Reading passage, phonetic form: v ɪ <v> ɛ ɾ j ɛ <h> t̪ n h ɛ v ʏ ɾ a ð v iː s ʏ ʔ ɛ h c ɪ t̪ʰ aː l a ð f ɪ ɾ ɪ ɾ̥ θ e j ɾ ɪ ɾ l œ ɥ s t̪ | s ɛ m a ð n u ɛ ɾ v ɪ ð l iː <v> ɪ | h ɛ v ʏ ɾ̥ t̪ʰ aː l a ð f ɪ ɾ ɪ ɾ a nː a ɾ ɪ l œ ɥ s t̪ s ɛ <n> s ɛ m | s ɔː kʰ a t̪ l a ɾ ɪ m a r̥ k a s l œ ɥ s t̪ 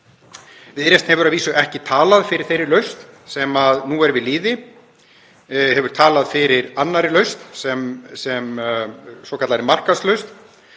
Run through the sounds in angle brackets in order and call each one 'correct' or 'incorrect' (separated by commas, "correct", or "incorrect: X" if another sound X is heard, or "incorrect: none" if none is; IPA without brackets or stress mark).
incorrect: ð, incorrect: s, incorrect: ð, incorrect: m